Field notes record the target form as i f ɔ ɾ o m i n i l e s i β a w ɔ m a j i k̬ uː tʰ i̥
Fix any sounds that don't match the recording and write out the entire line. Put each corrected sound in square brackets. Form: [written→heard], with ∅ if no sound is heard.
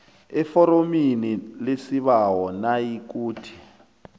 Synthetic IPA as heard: [i→ɛ] f ɔ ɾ o m i n i l e s i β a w ɔ [m→n] a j i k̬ uː tʰ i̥